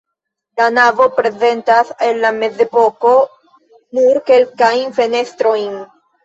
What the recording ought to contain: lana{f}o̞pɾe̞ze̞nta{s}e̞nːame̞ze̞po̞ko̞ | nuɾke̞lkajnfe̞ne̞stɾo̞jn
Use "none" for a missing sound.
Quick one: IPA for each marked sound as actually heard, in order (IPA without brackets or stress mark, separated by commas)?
v, s